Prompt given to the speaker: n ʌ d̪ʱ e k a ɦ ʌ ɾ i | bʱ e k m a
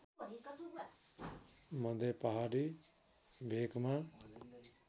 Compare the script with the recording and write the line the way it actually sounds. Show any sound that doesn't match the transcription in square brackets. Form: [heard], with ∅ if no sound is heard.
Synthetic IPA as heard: [m] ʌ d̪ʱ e [p] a ɦ [a] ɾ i | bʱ e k m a